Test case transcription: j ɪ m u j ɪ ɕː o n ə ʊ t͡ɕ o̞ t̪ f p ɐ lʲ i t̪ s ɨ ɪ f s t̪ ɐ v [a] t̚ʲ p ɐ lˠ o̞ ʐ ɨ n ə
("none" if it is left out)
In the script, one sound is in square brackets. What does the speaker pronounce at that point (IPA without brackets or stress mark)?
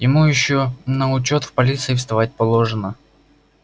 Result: a